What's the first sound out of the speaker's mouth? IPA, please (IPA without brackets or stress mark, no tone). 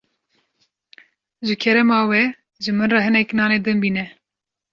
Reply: ʒ